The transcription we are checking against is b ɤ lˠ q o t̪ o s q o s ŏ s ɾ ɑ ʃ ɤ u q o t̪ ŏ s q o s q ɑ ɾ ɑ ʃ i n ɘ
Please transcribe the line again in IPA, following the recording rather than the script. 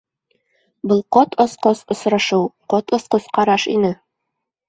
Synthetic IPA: b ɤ lˠ q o t̪ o s q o s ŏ s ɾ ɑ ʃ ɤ w q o t̪ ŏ s q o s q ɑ ɾ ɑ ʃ i n ɘ